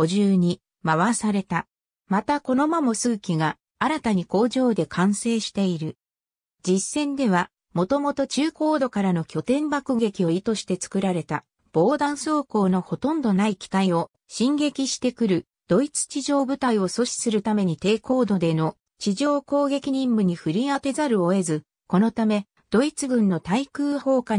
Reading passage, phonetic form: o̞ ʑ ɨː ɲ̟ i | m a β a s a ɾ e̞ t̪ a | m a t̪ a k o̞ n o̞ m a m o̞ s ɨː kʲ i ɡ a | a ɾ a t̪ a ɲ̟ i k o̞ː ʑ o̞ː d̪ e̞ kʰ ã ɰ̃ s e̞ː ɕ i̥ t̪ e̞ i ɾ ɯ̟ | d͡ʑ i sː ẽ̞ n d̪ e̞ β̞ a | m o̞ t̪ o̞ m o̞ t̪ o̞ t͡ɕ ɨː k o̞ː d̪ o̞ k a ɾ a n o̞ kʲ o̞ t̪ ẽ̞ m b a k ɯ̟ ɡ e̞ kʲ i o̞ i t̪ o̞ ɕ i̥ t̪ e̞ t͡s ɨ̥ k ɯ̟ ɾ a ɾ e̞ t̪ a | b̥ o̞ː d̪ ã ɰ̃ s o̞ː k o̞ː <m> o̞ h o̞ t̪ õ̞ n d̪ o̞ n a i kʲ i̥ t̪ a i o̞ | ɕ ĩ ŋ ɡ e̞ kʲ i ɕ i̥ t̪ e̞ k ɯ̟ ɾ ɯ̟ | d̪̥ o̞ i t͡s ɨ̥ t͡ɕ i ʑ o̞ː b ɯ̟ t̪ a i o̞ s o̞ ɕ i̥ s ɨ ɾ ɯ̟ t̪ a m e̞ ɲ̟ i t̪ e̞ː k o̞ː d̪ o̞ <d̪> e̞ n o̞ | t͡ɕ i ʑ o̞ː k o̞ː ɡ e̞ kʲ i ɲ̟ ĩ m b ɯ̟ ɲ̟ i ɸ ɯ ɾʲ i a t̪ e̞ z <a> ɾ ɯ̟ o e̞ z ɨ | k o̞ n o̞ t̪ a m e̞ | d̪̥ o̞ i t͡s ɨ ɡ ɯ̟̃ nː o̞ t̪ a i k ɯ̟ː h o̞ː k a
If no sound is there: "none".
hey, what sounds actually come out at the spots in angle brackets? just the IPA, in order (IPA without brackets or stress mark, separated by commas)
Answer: n, d̪, a